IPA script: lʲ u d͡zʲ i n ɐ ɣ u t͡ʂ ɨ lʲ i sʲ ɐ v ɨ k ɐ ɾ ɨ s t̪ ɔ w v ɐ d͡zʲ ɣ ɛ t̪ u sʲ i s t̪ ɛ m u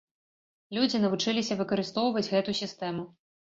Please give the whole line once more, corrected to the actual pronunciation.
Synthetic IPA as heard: lʲ u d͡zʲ i n ɐ v u t͡ʂ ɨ lʲ i sʲ ɐ v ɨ k ɐ ɾ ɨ s t̪ ɔ w v ɐ d͡zʲ ɣ ɛ t̪ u sʲ i s t̪ ɛ m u